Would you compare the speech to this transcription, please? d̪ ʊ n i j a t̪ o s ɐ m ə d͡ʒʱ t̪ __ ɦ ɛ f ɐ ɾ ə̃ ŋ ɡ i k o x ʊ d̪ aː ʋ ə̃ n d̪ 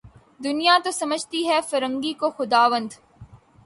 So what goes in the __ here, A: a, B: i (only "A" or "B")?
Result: B